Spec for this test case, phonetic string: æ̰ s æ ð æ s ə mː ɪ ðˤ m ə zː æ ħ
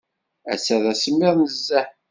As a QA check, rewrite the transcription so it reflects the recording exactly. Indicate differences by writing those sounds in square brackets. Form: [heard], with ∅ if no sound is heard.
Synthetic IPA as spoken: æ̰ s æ ð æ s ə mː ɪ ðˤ [n] ə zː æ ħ